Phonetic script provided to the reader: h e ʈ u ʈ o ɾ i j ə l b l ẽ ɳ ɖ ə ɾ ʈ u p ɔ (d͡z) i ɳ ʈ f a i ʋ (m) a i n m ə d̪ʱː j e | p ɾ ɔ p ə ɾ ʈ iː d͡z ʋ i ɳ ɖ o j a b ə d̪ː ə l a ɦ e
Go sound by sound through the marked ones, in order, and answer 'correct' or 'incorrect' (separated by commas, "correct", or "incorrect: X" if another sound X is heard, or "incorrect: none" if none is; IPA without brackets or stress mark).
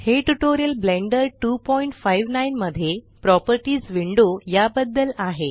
incorrect: none, incorrect: n